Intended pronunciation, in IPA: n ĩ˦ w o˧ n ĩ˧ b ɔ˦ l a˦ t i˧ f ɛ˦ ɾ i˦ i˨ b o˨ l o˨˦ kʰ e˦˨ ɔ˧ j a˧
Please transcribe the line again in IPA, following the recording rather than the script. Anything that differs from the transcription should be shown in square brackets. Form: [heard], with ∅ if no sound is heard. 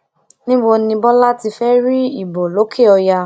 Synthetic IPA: n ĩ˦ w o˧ n ĩ˧ b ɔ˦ l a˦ t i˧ f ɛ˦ ɾ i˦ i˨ b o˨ l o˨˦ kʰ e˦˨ ɔ˧ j a˧